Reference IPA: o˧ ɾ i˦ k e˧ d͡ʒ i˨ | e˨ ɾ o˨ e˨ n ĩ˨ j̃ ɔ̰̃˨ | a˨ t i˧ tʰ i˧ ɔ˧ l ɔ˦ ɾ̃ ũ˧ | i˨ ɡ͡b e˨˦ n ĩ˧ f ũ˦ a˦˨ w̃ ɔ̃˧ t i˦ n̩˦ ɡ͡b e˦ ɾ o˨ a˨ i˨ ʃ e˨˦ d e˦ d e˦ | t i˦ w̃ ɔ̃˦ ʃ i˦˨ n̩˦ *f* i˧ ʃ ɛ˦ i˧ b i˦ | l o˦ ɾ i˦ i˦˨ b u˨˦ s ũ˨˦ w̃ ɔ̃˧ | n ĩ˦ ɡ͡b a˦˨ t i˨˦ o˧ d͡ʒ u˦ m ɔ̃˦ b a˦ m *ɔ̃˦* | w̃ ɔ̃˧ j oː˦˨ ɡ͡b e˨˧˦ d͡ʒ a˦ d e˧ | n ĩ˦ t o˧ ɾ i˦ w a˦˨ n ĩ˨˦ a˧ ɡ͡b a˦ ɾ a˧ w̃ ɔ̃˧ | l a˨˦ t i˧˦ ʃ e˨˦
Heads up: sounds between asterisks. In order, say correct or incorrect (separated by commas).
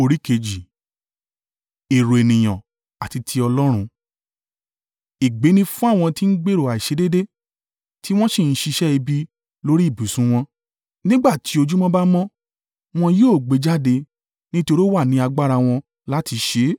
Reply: incorrect, correct